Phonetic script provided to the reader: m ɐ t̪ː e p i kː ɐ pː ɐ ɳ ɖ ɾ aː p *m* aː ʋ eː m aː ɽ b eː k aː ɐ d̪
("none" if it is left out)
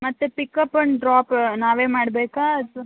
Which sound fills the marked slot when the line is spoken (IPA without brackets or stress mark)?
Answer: n